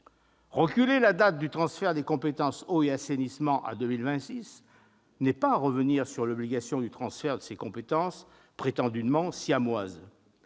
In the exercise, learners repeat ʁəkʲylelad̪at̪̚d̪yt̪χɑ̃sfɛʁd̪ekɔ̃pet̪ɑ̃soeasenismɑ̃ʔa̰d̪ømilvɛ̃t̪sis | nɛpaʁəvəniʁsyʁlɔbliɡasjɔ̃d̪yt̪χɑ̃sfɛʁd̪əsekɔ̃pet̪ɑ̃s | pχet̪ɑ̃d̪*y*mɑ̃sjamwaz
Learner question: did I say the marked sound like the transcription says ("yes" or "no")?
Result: yes